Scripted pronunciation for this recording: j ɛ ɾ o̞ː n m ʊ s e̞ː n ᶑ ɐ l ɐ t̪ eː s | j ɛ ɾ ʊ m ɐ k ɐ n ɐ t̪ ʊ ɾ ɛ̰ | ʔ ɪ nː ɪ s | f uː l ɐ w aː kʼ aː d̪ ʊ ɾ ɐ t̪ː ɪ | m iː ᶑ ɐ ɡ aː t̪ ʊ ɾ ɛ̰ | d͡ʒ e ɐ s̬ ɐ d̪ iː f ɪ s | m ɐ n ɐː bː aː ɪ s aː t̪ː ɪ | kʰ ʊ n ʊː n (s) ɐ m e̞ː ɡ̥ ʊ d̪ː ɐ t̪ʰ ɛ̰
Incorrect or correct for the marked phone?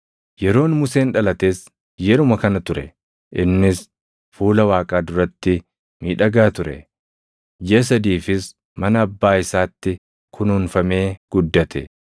incorrect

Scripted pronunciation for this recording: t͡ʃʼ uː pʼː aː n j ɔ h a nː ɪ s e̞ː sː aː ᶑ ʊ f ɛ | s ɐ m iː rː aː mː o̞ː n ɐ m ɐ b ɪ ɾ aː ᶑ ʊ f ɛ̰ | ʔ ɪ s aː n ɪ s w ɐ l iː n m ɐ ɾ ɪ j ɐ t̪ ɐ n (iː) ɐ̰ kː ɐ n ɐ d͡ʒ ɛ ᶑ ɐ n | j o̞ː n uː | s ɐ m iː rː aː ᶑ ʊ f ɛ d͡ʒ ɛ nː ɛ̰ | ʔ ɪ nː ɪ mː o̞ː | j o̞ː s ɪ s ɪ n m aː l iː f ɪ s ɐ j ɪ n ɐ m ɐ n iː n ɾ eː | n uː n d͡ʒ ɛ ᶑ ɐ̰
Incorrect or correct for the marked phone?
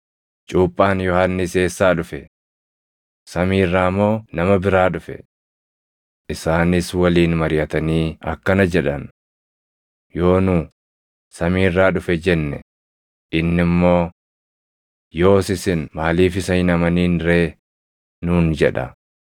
correct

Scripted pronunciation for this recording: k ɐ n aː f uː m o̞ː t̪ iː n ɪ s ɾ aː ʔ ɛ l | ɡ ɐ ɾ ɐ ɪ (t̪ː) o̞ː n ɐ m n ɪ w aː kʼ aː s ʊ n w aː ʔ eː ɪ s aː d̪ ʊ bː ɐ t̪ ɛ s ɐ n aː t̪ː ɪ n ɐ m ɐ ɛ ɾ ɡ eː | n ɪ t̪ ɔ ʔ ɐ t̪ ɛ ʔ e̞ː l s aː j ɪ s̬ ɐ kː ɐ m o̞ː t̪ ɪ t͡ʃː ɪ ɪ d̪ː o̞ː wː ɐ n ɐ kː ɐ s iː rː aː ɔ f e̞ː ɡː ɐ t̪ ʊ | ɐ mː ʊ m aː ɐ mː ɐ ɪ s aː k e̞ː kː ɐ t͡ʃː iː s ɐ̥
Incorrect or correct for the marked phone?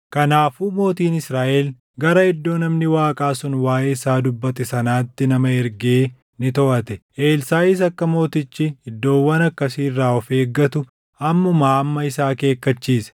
incorrect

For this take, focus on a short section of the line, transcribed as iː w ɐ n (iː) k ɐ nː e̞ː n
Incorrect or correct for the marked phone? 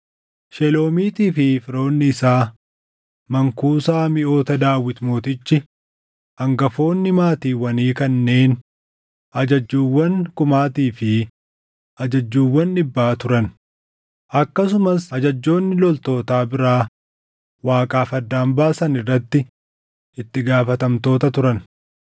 correct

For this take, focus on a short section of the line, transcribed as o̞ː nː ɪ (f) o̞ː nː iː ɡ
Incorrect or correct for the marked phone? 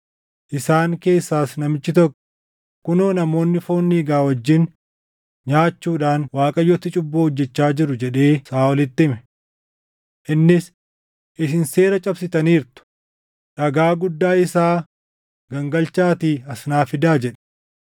correct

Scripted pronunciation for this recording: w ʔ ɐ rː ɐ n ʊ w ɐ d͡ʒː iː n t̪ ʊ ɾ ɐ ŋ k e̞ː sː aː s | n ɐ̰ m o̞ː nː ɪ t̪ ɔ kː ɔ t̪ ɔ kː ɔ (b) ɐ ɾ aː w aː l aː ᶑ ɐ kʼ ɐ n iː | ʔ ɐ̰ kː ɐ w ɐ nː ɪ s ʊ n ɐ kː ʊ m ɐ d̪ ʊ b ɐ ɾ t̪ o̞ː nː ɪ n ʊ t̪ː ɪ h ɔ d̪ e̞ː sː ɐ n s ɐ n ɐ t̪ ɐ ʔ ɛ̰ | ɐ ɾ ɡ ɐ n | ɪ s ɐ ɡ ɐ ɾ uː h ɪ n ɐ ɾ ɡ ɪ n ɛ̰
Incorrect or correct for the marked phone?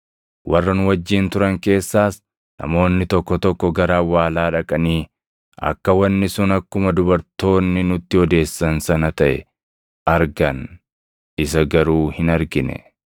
incorrect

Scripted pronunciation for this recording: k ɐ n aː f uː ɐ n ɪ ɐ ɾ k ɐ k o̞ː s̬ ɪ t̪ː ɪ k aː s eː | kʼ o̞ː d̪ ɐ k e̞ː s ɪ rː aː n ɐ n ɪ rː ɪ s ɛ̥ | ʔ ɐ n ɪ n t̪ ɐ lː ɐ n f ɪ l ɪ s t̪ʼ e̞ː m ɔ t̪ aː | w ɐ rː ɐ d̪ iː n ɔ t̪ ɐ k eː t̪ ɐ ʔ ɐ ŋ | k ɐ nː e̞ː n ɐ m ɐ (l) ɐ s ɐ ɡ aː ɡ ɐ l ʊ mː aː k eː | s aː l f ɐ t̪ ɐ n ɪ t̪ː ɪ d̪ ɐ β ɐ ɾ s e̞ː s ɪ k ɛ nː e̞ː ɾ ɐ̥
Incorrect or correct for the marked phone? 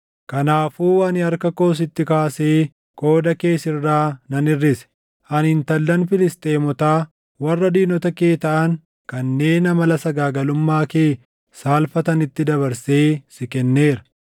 correct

